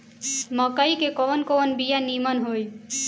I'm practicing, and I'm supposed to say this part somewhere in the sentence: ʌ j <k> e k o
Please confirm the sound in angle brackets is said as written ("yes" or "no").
yes